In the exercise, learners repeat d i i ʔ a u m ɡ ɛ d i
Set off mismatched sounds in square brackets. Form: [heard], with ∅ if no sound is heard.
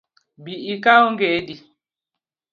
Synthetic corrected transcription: [b] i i [k] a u [ŋ] ɡ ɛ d i